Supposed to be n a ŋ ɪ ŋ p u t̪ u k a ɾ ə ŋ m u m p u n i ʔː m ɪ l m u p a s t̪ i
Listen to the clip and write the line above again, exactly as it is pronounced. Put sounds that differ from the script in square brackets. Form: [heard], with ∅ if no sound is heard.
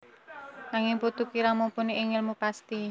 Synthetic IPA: n a ŋ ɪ ŋ p u t̪ u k [i] ɾ [a] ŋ m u m p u n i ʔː [ŋ] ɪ l m u p a s t̪ i